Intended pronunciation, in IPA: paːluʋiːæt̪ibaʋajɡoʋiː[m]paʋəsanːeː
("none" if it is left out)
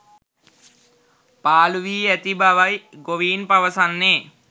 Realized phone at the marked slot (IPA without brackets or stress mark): n